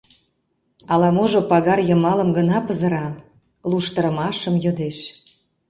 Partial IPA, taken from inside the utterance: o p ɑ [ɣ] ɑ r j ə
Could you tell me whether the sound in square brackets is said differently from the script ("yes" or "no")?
no